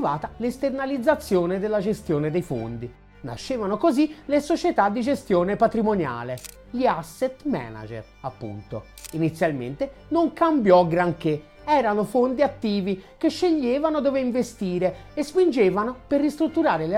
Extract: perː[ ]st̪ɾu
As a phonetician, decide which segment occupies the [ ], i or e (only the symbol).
i